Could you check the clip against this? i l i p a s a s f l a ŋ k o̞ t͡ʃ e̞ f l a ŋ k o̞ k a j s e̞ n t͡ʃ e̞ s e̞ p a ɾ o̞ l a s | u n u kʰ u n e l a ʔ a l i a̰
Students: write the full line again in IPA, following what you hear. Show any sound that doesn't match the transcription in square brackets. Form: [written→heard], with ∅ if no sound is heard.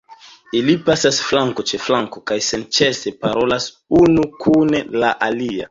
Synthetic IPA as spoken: i l i p a s a s f l a ŋ k o̞ t͡ʃ e̞ f l a ŋ k o̞ k a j s e̞ n t͡ʃ e̞ s e̞ p a ɾ o̞ l a s | u n u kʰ u n e l a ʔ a l i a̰